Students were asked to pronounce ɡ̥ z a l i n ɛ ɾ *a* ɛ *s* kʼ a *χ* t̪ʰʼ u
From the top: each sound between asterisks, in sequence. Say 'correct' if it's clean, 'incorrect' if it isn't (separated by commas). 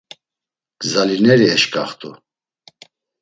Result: incorrect, incorrect, correct